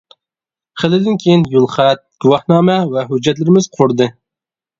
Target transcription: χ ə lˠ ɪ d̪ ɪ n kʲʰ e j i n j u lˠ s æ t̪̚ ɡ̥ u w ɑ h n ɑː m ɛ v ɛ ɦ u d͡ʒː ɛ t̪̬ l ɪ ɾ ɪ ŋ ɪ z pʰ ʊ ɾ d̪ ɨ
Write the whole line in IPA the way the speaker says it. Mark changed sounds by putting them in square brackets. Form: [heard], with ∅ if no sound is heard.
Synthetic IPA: χ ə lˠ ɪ d̪ ɪ n kʲʰ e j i n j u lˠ [χ] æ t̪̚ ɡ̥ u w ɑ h n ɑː m ɛ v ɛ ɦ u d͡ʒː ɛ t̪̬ l ɪ ɾ ɪ [m] ɪ z [qʰ] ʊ ɾ d̪ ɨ